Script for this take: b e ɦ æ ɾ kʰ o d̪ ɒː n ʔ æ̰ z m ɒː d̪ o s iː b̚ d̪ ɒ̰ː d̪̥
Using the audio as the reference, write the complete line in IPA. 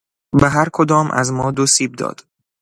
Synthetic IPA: b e ɦ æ ɾ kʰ o d̪ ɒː m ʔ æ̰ z m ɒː d̪ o s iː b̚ d̪ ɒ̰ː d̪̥